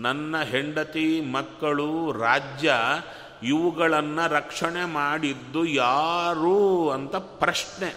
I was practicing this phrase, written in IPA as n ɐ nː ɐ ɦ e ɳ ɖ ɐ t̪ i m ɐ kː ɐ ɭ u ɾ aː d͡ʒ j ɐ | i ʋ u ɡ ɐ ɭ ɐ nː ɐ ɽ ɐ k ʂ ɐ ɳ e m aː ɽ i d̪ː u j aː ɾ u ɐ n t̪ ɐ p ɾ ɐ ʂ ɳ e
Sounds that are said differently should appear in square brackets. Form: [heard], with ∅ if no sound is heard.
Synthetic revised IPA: n ɐ nː ɐ ɦ e ɳ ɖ ɐ t̪ i m ɐ kː ɐ ɭ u ɾ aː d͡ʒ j ɐ | i ʋ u ɡ ɐ ɭ ɐ nː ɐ [ɾ] ɐ k ʂ ɐ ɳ e m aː ɽ i d̪ː u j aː ɾ u ɐ n t̪ ɐ p ɾ ɐ ʂ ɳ e